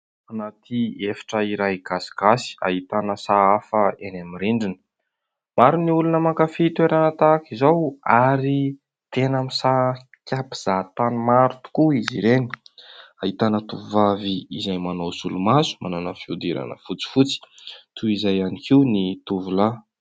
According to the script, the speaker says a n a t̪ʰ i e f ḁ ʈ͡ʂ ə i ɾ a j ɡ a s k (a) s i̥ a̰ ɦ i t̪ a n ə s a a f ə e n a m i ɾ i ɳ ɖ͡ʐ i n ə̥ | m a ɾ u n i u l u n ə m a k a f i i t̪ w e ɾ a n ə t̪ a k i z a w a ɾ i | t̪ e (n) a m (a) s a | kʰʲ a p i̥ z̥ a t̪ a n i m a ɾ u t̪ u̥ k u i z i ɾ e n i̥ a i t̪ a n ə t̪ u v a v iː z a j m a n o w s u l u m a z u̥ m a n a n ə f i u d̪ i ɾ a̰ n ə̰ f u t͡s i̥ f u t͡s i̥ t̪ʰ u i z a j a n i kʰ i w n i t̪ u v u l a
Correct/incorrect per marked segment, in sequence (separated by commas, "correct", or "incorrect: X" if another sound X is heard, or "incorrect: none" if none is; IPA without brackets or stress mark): correct, correct, incorrect: i